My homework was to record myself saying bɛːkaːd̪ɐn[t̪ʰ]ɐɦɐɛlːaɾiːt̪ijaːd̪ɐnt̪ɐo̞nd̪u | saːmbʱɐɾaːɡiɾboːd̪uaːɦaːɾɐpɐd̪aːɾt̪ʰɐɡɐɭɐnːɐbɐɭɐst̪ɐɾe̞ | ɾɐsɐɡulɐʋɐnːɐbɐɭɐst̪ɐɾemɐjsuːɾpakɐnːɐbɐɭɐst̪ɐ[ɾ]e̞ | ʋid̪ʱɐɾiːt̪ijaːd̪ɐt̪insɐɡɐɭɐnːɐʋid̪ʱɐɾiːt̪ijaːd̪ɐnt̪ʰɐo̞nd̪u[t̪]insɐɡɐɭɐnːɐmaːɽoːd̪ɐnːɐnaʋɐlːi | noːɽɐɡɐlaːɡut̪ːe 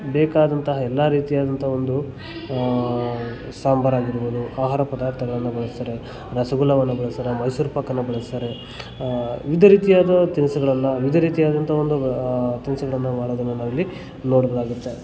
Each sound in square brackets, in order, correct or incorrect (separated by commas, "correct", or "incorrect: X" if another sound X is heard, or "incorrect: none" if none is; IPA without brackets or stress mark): incorrect: t̪, correct, correct